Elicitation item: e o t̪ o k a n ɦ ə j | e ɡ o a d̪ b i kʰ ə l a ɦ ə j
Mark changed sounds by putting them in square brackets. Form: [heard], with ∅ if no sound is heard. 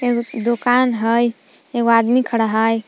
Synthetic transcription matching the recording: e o [d̪] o k a n ɦ ə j | e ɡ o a d̪ [m] i kʰ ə [ɽ] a ɦ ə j